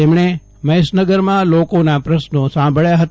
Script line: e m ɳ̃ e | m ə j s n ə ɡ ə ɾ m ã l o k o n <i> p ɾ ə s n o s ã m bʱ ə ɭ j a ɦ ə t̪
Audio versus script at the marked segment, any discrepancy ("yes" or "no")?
yes